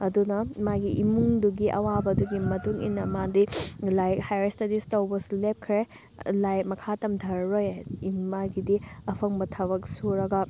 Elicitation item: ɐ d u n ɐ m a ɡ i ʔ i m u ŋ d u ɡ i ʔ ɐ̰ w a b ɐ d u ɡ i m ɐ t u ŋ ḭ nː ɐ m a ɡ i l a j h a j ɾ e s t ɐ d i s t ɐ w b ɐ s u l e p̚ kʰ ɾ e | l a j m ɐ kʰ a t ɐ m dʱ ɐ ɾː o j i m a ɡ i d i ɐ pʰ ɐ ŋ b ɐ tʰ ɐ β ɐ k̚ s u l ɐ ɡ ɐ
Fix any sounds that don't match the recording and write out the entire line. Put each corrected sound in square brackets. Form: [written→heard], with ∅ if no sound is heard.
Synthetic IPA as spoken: ɐ d u n ɐ m a ɡ i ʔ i m u ŋ d u ɡ i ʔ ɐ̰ w a b ɐ d u ɡ i m ɐ t u ŋ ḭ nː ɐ m a [ɡ→d] i l a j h a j ɾ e s t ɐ d i s t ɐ w b ɐ s u l e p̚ kʰ ɾ e | l a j m ɐ kʰ a t ɐ m dʱ ɐ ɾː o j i m a ɡ i d i ɐ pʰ ɐ ŋ b ɐ tʰ ɐ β ɐ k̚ s u [l→ɾ] ɐ ɡ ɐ